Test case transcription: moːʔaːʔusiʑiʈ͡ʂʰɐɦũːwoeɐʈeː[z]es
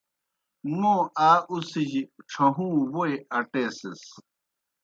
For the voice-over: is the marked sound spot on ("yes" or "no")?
no